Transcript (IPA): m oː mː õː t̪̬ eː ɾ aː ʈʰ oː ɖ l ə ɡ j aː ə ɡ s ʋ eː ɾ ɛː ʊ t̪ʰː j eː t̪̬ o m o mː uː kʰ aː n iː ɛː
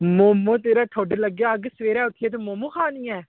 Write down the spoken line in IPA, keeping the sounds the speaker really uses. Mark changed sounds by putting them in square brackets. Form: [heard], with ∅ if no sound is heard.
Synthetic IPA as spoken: m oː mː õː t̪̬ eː ɾ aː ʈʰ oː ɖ l ə ɡ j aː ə ɡ s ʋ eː ɾ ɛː ʊ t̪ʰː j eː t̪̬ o m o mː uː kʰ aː n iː ɛː